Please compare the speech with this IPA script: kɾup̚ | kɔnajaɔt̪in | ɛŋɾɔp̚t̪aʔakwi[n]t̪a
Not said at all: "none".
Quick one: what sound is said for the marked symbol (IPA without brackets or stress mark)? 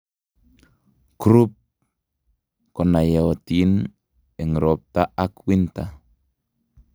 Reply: n